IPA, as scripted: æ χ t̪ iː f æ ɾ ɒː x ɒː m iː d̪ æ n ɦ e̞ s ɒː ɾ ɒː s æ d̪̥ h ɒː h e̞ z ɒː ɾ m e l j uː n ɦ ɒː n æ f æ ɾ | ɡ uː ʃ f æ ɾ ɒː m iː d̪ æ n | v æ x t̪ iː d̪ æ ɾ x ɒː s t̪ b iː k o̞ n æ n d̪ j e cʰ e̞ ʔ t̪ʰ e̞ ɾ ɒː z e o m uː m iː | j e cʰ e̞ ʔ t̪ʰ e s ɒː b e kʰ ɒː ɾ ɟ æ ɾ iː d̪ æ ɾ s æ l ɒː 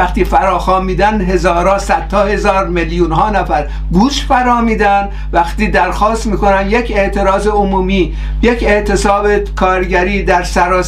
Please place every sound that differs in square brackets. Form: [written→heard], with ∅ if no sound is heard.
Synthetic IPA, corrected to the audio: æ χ t̪ iː f æ ɾ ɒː x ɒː m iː d̪ æ n ɦ e̞ [s→z] ɒː ɾ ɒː s æ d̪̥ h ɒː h e̞ z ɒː ɾ m e l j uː n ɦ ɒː n æ f æ ɾ | ɡ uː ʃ f æ ɾ ɒː m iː d̪ æ n | v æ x t̪ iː d̪ æ ɾ x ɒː s t̪ [b→m] iː k o̞ n æ n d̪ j e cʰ e̞ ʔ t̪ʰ e̞ ɾ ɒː z e o m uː m iː | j e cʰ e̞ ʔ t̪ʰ e s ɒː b e kʰ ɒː ɾ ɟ æ ɾ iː d̪ æ ɾ s æ [l→ɾ] ɒː